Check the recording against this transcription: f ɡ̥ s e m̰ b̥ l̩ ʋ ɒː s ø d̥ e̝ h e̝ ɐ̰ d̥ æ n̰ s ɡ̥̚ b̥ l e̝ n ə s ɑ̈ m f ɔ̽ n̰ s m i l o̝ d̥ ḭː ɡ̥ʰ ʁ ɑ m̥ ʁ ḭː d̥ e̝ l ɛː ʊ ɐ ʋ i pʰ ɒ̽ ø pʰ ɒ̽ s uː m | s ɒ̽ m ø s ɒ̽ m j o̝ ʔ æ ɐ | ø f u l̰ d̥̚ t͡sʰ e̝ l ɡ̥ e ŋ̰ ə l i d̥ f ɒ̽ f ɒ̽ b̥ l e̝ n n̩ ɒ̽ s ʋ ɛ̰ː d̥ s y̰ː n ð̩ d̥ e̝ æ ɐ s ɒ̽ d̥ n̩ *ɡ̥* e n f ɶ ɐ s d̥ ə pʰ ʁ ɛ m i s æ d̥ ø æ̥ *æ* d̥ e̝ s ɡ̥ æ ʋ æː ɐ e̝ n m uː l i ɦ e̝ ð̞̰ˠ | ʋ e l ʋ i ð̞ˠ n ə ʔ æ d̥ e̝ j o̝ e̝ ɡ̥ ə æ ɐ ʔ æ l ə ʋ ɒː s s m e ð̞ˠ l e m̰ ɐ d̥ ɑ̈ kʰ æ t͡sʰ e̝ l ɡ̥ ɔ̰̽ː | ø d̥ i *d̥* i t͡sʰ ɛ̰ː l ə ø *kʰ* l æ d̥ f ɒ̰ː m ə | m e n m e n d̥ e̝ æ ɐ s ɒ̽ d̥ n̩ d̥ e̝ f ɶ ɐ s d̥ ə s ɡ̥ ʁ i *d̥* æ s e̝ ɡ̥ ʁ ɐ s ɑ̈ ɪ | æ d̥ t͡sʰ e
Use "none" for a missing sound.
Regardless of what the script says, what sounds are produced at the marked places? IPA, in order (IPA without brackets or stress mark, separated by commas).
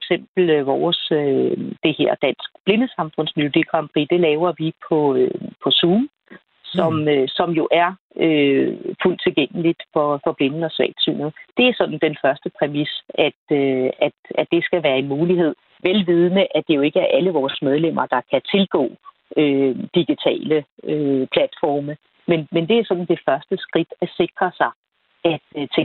d̥, æ, ɡ̥, pʰ, d̥